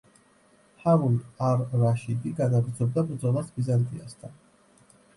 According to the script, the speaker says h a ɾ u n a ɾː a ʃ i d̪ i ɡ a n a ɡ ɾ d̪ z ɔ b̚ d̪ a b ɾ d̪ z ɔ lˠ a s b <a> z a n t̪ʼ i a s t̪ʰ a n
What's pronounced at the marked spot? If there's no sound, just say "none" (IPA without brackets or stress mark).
i